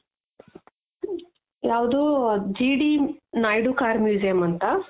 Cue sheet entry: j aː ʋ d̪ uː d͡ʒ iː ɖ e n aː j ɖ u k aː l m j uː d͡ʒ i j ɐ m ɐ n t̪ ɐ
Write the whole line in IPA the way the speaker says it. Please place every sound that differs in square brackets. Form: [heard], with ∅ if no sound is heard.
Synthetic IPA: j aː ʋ d̪ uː d͡ʒ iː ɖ [i] n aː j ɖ u k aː [ɾ] m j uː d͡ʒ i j ɐ m ɐ n t̪ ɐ